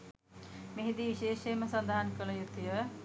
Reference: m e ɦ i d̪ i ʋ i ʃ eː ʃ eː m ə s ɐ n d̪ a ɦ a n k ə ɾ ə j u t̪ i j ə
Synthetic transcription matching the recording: m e ɦ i d̪ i ʋ i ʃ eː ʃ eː m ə s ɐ n d̪ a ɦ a n k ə l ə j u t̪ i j ə